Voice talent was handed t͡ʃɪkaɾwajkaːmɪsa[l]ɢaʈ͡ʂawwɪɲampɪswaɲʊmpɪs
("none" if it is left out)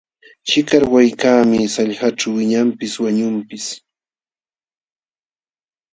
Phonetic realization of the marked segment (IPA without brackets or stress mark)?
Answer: ʎ